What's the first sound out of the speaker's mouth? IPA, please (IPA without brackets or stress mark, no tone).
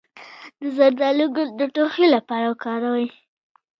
d̪